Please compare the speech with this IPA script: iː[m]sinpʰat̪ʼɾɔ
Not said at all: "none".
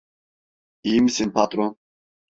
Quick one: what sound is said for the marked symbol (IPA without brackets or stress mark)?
m